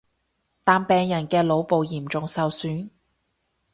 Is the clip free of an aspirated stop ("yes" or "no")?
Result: yes